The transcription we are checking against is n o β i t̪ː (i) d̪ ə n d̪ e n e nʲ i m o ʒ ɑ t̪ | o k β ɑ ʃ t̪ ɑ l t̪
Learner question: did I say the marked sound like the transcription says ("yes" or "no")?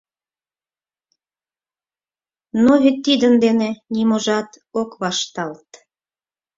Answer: yes